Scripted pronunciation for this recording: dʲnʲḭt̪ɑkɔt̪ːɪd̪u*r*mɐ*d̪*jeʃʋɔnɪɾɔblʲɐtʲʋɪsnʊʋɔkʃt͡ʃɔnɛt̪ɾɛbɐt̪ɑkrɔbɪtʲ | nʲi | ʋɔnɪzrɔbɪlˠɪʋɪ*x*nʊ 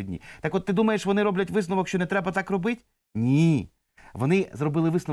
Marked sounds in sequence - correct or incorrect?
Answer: incorrect, incorrect, incorrect

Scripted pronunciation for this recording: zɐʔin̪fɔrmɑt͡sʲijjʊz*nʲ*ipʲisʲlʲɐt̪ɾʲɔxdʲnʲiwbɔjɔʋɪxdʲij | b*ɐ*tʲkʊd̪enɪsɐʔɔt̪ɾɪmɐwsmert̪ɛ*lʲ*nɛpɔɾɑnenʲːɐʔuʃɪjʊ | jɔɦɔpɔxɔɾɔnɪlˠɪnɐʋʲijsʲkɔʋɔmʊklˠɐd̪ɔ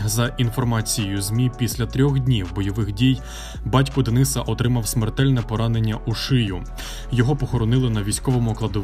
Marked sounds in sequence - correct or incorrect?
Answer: incorrect, incorrect, correct

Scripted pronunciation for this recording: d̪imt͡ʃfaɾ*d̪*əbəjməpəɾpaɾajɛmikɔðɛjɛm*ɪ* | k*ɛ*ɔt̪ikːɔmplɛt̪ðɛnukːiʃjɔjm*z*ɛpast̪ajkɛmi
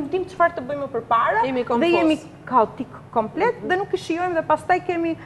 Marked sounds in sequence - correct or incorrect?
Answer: incorrect, incorrect, incorrect, incorrect

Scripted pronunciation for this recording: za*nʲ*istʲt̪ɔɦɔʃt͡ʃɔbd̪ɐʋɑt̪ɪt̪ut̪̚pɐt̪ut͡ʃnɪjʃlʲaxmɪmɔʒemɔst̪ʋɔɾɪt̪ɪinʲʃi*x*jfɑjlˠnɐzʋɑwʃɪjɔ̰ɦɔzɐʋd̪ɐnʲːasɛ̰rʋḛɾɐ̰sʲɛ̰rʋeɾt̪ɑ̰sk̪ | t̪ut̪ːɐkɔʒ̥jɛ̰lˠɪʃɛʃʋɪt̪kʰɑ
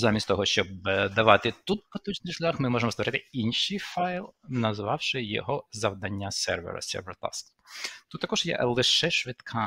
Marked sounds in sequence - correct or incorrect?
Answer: incorrect, incorrect

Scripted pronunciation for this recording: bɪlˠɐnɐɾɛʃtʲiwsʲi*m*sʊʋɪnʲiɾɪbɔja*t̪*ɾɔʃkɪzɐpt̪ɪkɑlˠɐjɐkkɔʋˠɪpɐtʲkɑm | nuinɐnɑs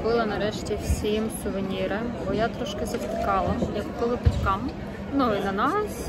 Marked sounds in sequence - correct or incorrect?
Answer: correct, correct

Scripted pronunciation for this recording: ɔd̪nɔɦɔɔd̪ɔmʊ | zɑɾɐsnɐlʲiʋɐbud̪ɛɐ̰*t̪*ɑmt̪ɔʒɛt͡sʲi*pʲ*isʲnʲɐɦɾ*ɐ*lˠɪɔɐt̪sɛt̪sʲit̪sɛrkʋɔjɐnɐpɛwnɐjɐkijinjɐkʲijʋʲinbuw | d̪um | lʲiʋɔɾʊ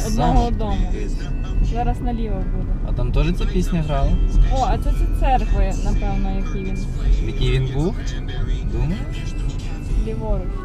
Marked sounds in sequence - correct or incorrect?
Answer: correct, correct, incorrect

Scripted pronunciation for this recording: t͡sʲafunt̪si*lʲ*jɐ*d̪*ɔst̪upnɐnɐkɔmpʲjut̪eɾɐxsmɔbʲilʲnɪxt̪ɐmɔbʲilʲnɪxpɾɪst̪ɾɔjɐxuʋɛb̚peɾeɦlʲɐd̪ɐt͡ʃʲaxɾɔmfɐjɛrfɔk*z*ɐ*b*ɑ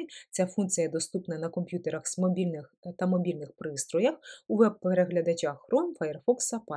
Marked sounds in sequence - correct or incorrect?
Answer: incorrect, correct, incorrect, incorrect

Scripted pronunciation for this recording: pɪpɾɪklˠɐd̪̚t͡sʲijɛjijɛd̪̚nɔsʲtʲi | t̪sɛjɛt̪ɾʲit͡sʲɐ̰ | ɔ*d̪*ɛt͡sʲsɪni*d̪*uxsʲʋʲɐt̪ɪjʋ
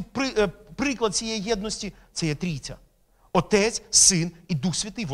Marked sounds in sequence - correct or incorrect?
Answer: incorrect, correct

